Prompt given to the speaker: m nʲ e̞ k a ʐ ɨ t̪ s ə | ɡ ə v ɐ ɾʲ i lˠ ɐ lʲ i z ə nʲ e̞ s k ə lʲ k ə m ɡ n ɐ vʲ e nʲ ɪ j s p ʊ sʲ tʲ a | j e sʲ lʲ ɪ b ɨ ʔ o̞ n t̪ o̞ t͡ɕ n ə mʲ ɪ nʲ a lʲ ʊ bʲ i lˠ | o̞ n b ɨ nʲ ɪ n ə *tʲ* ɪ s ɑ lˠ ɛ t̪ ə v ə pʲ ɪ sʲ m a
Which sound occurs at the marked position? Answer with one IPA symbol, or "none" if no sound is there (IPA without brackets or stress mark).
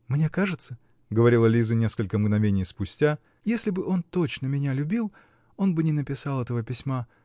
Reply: pʲ